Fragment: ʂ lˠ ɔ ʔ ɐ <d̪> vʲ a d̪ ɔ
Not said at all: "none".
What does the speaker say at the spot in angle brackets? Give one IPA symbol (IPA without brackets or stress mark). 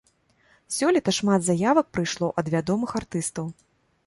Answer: d̪